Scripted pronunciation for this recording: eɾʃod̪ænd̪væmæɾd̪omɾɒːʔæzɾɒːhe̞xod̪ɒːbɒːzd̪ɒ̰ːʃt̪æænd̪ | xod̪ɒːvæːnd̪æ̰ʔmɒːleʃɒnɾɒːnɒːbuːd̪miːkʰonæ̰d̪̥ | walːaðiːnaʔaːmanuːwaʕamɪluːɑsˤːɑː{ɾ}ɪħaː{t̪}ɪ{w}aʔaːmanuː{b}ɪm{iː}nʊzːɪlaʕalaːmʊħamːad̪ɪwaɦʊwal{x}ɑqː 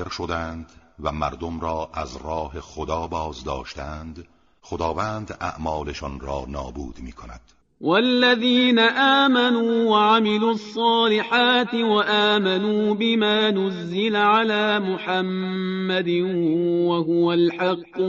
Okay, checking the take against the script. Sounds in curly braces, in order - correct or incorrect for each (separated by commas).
incorrect, correct, correct, correct, incorrect, incorrect